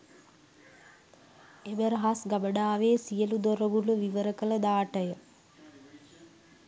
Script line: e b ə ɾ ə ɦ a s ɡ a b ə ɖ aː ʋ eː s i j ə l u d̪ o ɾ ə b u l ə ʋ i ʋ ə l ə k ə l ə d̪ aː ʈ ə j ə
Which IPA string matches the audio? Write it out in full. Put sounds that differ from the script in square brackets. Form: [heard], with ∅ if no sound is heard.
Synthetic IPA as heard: e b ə ɾ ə ɦ a s ɡ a b ə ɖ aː ʋ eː s i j ə l u d̪ o ɾ ə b u l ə ʋ i ʋ ə [ɾ] ə k ə l ə d̪ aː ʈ ə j ə